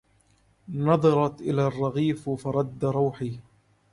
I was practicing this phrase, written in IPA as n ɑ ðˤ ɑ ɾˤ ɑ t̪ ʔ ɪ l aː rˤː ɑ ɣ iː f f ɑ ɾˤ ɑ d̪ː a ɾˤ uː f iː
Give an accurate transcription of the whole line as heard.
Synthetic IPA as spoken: n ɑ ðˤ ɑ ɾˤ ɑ t̪ ʔ ɪ l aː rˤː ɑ ɣ iː f f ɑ ɾˤ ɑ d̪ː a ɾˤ uː ħ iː